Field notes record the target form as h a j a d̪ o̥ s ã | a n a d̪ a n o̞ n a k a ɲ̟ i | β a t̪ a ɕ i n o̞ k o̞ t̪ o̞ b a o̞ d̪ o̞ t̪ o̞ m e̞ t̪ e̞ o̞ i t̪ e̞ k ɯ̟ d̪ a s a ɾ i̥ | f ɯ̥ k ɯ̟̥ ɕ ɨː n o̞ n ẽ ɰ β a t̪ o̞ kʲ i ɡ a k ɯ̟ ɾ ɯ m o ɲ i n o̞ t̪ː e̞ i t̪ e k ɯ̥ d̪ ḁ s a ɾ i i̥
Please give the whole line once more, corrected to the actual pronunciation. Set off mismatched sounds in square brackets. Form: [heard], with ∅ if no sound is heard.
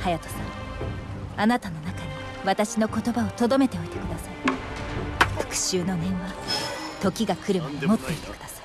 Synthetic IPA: h a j a [t̪] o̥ s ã | a n a [t̪] a n o̞ n a k a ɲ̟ i | β a t̪ a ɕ i n o̞ k o̞ t̪ o̞ b a o̞ [t̪] o̞ [d̪] o̞ m e̞ t̪ e̞ o̞ i t̪ e̞ k ɯ̟ d̪ a s a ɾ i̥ | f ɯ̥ k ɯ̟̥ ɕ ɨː n o̞ n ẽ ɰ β a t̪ o̞ kʲ i ɡ a k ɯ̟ ɾ ɯ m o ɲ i [m] o̞ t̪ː e̞ i t̪ e k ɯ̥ d̪ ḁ s a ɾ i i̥